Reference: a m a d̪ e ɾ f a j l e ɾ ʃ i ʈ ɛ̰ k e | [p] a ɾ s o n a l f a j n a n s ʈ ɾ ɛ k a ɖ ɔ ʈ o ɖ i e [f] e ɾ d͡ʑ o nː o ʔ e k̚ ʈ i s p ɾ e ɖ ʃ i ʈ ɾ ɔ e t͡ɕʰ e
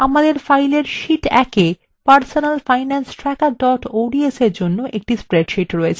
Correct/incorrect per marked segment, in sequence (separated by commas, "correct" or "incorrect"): correct, incorrect